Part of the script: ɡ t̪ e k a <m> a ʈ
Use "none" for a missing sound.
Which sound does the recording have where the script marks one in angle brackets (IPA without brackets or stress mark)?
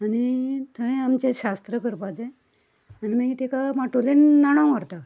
m